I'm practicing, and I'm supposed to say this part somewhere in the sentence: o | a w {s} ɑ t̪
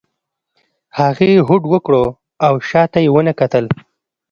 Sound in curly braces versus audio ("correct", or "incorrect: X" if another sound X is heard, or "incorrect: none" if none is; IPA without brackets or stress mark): incorrect: ʃ